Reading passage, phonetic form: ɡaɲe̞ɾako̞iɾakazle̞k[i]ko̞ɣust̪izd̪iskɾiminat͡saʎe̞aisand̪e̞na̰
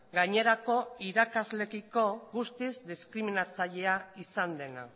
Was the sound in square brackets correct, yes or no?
yes